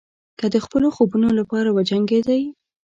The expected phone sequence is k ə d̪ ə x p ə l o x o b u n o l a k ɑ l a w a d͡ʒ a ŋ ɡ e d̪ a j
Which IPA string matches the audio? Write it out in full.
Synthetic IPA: k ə d̪ ə x p ə l o x o b u n o l a p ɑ ɾ a w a d͡ʒ a ŋ ɡ e d̪ a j